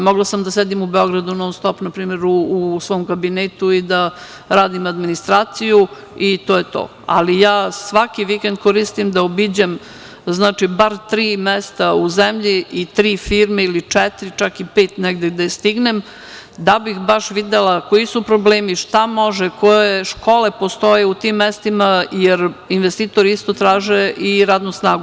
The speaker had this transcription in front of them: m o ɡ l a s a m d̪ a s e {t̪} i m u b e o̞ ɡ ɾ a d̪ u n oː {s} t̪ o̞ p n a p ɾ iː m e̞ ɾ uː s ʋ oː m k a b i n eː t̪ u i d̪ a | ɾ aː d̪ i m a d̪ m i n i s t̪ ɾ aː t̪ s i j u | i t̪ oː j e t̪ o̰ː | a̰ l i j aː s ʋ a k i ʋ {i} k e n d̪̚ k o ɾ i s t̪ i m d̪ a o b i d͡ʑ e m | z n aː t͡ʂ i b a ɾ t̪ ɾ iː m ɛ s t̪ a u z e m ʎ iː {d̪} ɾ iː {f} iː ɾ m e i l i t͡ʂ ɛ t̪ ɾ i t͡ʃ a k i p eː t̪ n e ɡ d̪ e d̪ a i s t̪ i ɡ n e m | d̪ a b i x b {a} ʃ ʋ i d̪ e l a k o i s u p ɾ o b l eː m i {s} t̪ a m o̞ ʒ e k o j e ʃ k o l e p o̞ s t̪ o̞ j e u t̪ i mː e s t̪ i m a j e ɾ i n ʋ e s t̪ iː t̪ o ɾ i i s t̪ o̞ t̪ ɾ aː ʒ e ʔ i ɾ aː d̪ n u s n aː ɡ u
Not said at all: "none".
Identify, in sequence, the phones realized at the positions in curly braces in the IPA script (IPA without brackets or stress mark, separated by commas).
d̪, s, i, t̪, f, a, ʃ